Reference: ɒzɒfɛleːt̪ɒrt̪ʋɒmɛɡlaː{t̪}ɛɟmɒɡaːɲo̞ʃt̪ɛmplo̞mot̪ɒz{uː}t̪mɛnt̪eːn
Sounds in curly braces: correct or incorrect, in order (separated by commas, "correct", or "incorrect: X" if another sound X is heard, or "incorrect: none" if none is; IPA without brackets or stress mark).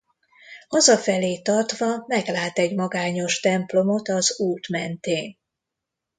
correct, correct